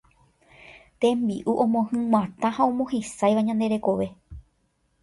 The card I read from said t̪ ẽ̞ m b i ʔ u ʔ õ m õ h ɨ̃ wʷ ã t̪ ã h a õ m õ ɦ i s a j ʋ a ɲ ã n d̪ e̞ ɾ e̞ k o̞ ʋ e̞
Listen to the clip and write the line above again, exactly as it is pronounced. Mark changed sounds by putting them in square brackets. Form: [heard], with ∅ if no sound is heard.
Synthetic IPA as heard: t̪ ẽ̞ m b i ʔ u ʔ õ m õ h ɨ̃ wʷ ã t̪ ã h a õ m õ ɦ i s a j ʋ a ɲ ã n d̪ e̞ ɾ e̞ k o̞ ʋ e̞